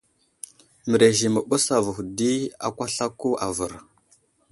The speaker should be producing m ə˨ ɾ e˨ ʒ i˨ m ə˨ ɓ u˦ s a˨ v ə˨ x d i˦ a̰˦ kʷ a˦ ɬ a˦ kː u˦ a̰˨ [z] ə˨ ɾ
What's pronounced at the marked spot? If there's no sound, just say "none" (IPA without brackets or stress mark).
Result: v